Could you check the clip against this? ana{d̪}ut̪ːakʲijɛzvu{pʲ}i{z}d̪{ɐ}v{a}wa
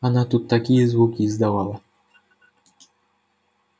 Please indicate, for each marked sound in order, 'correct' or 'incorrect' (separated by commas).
incorrect, incorrect, correct, incorrect, correct